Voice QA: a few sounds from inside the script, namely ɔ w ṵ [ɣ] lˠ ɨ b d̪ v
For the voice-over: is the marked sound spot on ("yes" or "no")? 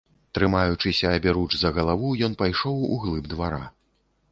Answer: yes